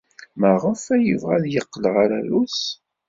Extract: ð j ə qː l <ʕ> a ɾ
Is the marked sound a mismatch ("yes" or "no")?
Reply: yes